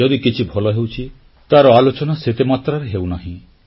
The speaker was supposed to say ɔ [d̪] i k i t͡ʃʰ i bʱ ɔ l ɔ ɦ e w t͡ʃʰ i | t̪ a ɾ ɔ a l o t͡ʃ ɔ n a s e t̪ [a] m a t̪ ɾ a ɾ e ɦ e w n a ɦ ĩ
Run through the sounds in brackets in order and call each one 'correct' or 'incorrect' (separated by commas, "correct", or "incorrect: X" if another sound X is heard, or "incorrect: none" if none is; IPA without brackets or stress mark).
correct, incorrect: e